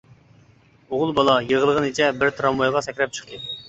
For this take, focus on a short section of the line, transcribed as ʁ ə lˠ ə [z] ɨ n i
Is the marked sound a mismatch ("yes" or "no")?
yes